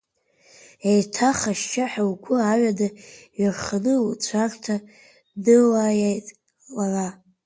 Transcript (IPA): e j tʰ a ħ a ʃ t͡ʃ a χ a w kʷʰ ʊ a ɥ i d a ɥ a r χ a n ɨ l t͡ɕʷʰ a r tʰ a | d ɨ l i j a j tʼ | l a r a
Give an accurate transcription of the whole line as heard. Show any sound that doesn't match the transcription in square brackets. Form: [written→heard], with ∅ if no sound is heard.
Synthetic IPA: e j tʰ a [ħ→χ] a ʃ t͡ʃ a [χ→ħ] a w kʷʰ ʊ a ɥ [i→a] d a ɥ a r χ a n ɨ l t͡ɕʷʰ a r tʰ a | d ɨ l [i→a] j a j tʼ | l a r a